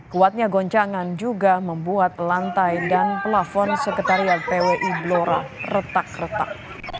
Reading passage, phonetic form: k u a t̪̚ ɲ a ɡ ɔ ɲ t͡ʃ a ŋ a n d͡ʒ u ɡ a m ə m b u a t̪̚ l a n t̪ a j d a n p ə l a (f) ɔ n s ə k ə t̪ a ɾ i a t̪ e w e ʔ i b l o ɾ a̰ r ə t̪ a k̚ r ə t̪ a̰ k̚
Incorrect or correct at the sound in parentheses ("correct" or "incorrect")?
correct